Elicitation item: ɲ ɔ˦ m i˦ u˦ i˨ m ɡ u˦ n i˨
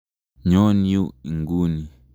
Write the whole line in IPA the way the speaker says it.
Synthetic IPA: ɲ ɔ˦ n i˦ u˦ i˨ ŋ ɡ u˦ n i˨